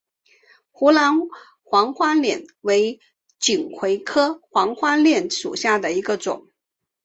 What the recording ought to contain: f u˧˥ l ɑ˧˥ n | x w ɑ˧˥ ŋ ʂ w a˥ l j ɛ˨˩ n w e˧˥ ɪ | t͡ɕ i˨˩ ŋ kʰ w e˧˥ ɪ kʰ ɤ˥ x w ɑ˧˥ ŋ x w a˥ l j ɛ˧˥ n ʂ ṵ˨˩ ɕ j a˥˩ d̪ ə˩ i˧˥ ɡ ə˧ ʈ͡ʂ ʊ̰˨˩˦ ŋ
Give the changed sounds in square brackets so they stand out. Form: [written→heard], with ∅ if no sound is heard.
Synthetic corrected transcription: [f→x] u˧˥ l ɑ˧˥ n | x w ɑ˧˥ ŋ [ʂ→x] w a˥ l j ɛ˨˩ n w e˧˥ ɪ | t͡ɕ i˨˩ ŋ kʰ w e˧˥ ɪ kʰ ɤ˥ x w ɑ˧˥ ŋ x w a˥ l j [ɛ˧˥→ɛ˥˩] n ʂ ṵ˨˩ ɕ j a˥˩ d̪ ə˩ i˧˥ ɡ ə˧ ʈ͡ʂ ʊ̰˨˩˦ ŋ

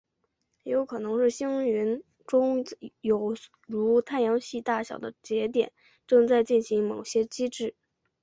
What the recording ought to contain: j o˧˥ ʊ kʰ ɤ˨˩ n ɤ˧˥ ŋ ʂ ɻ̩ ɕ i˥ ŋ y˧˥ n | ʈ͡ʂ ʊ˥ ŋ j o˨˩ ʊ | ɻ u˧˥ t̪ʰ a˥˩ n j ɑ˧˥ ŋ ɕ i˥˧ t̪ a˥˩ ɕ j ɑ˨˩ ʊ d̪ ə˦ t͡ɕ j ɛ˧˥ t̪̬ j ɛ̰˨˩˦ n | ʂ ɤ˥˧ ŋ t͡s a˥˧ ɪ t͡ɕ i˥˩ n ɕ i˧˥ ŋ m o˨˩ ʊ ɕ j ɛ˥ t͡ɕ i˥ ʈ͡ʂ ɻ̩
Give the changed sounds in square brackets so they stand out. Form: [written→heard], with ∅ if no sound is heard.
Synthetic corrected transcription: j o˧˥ ʊ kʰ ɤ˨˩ n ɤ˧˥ ŋ ʂ ɻ̩ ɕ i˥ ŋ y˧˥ n | ʈ͡ʂ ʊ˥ ŋ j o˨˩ ʊ | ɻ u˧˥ t̪ʰ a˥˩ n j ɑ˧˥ ŋ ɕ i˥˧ t̪ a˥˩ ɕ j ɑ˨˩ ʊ d̪ ə˦ t͡ɕ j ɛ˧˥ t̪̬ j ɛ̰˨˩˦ n | [ʂ→ʈ͡ʂ] ɤ˥˧ ŋ t͡s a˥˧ ɪ t͡ɕ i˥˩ n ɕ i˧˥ ŋ m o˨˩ ʊ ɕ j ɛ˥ t͡ɕ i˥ ʈ͡ʂ ɻ̩

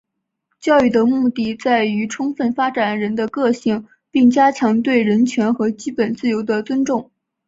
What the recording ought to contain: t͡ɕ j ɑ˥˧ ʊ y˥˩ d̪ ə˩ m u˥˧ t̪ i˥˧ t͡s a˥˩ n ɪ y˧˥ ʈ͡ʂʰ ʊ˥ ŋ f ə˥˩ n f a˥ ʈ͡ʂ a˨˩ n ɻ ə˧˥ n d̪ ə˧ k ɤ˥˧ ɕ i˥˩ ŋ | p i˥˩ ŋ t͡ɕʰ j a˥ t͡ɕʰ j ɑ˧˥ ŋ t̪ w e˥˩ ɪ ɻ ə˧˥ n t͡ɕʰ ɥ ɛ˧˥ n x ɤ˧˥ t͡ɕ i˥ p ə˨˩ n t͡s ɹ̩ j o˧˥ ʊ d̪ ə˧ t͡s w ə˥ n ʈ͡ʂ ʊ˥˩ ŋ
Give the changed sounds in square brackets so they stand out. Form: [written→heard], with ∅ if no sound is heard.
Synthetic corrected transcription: t͡ɕ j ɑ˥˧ ʊ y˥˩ d̪ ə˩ m u˥˧ t̪ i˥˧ t͡s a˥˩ [n→∅] ɪ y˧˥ ʈ͡ʂʰ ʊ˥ ŋ f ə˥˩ n f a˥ ʈ͡ʂ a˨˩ n ɻ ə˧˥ n d̪ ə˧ k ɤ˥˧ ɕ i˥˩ ŋ | p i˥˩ ŋ [t͡ɕʰ→t͡ɕ] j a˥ t͡ɕʰ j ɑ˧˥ ŋ t̪ w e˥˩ ɪ ɻ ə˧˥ n t͡ɕʰ ɥ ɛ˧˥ n x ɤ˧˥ t͡ɕ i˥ p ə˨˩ n t͡s ɹ̩ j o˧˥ ʊ d̪ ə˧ t͡s w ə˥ n ʈ͡ʂ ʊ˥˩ ŋ

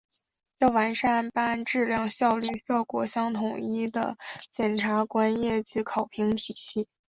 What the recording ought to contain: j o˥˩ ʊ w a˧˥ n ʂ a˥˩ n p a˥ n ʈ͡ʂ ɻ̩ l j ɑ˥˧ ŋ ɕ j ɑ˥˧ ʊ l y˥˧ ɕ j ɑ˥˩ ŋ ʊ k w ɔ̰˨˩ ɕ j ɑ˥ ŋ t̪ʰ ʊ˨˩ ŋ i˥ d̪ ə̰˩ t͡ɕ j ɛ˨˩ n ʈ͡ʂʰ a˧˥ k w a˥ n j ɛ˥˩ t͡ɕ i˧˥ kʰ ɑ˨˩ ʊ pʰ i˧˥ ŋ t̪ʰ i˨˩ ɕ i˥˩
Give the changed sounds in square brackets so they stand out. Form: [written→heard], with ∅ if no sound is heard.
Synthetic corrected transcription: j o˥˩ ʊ w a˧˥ n ʂ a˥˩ n p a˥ n ʈ͡ʂ ɻ̩ l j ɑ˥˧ ŋ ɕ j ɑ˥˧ ʊ l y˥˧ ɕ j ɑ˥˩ [ŋ→∅] ʊ k w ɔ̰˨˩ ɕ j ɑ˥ ŋ t̪ʰ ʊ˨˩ ŋ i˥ d̪ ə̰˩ t͡ɕ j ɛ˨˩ n ʈ͡ʂʰ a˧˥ k w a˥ n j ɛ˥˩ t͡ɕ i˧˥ kʰ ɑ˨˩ ʊ pʰ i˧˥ ŋ t̪ʰ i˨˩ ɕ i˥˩

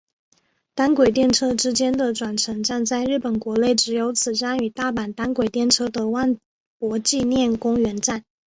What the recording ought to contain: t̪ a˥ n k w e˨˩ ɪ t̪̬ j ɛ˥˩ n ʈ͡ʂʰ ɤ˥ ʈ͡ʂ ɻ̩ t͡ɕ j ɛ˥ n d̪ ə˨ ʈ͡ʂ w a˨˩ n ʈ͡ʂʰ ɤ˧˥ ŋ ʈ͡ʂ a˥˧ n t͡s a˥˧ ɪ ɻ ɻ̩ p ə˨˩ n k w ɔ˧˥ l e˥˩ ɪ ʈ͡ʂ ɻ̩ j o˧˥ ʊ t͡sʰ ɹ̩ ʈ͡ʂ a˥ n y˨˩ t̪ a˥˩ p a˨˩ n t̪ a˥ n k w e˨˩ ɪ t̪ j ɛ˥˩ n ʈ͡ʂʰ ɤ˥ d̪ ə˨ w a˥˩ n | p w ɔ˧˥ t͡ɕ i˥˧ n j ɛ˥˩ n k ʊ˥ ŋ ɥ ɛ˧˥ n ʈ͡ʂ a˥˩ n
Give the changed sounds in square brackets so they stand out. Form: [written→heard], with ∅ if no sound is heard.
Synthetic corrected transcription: t̪ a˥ n k w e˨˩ ɪ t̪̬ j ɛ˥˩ n ʈ͡ʂʰ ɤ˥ ʈ͡ʂ ɻ̩ t͡ɕ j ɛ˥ n d̪ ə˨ ʈ͡ʂ w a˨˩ n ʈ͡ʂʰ ɤ˧˥ ŋ ʈ͡ʂ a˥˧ n t͡s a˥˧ ɪ ɻ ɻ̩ p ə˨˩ n k w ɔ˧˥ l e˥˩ ɪ ʈ͡ʂ ɻ̩ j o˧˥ ʊ t͡sʰ ɹ̩ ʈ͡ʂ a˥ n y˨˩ t̪ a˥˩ p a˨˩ n t̪ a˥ n k w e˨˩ ɪ t̪ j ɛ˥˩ n ʈ͡ʂʰ ɤ˥ d̪ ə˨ w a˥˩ n | p w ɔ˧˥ t͡ɕ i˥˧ n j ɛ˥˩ n k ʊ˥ ŋ ɥ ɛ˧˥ n ʈ͡ʂ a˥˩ n

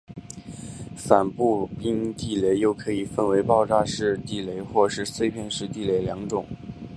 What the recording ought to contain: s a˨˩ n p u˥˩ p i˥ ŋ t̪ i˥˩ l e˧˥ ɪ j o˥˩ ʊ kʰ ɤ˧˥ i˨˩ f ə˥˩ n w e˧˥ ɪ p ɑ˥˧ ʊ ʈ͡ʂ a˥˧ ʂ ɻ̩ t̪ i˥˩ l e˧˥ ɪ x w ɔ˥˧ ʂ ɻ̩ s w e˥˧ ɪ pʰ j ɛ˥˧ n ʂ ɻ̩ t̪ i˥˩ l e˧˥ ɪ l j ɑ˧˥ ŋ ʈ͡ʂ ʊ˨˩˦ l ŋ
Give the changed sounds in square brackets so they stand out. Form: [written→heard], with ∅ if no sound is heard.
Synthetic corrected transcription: [s→f] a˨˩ n p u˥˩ p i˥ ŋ t̪ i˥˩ l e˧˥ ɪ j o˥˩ ʊ kʰ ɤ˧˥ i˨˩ f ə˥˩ n w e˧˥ ɪ p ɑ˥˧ ʊ ʈ͡ʂ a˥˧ ʂ ɻ̩ t̪ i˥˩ l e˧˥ ɪ x w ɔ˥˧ ʂ ɻ̩ s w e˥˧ ɪ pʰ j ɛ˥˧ n ʂ ɻ̩ t̪ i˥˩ l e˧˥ ɪ l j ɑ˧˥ ŋ ʈ͡ʂ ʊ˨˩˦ [l→∅] ŋ

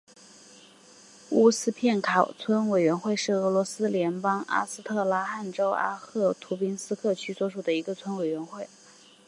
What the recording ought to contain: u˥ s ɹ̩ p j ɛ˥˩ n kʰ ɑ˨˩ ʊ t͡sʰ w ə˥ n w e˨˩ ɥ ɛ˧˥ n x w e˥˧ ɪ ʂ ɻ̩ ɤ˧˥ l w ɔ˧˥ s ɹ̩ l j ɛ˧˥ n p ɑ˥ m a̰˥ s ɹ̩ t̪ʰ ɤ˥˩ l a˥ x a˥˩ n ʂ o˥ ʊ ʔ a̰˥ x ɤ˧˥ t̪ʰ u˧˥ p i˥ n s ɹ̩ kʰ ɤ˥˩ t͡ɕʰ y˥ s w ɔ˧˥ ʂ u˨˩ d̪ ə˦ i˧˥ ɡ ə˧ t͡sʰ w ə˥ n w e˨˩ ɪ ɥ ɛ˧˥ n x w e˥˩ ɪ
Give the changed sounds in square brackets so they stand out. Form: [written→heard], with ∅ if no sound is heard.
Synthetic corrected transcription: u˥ s ɹ̩ [p→pʰ] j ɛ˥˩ n kʰ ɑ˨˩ ʊ t͡sʰ w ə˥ n w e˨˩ ɥ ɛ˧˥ n x w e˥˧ ɪ ʂ ɻ̩ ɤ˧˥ l w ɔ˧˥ s ɹ̩ l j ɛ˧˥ n p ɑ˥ [m→ŋ] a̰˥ s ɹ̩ t̪ʰ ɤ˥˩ l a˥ x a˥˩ n [ʂ→ʈ͡ʂ] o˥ ʊ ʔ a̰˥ x [ɤ˧˥→ɤ˥˩] t̪ʰ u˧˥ p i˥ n s ɹ̩ kʰ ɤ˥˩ t͡ɕʰ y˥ s w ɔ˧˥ ʂ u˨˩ d̪ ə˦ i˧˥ ɡ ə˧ t͡sʰ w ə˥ n w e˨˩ ɪ ɥ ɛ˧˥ n x w e˥˩ ɪ

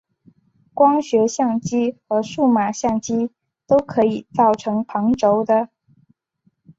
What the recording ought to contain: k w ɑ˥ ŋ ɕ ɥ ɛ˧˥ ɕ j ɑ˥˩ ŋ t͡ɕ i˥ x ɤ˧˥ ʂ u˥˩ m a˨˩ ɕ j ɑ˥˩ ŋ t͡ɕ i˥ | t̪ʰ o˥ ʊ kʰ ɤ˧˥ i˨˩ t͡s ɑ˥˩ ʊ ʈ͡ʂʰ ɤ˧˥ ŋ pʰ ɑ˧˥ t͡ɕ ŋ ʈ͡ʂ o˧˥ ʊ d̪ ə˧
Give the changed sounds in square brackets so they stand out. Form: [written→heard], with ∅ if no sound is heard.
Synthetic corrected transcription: k w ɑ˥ ŋ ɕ ɥ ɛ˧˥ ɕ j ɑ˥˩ ŋ t͡ɕ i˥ x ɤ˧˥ ʂ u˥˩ m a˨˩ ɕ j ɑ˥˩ ŋ t͡ɕ i˥ | [t̪ʰ→t̪] o˥ ʊ kʰ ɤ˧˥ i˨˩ t͡s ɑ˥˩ ʊ ʈ͡ʂʰ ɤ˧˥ ŋ pʰ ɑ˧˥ [t͡ɕ→∅] ŋ ʈ͡ʂ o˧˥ ʊ d̪ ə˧

